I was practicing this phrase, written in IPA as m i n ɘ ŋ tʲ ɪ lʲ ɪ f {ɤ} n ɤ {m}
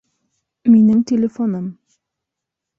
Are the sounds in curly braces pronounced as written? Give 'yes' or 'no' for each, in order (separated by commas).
no, yes